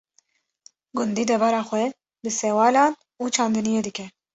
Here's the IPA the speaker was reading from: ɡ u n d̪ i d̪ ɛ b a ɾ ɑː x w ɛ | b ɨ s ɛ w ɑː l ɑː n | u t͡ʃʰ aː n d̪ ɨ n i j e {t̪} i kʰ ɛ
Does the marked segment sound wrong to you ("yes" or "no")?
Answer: yes